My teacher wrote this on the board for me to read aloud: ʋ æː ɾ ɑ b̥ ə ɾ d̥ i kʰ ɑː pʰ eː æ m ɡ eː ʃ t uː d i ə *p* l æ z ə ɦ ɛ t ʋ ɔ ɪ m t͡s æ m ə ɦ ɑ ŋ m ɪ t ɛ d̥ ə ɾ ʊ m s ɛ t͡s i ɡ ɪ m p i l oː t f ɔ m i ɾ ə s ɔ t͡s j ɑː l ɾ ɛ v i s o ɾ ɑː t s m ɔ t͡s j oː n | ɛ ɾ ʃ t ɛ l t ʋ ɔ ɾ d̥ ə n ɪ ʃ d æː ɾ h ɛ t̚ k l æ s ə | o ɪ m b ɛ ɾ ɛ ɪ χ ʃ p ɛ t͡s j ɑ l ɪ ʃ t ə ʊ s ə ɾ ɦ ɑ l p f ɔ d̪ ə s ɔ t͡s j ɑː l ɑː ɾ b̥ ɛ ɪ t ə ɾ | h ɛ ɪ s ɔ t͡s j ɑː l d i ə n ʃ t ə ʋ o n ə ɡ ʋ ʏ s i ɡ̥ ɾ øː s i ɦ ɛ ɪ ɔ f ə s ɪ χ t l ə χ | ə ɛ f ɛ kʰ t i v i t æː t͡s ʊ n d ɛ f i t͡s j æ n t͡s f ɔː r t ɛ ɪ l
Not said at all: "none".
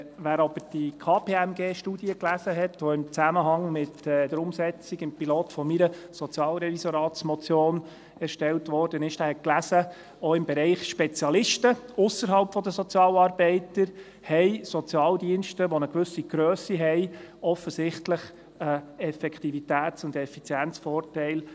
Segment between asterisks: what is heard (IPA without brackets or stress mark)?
k